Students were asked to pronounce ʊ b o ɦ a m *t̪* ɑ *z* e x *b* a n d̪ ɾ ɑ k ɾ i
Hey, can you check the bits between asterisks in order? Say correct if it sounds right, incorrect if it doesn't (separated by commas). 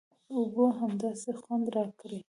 incorrect, incorrect, incorrect